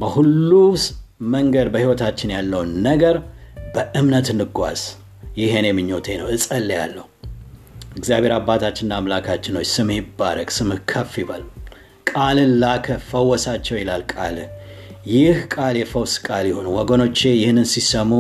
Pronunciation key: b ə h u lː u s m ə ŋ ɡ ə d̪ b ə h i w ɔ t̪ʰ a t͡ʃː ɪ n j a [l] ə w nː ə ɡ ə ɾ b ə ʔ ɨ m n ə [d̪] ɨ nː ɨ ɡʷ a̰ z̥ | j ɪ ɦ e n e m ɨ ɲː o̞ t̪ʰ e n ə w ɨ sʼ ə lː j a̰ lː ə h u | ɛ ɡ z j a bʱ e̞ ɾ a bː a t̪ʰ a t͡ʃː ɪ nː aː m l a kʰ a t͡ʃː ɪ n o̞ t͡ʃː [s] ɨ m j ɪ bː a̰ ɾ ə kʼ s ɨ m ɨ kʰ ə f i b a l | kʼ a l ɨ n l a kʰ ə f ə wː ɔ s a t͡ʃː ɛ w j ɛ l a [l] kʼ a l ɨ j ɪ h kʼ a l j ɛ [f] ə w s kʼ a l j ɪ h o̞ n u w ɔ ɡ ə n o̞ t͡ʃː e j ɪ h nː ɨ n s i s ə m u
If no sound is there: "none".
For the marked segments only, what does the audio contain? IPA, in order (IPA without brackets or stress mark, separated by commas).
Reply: lː, t̪, s, l, f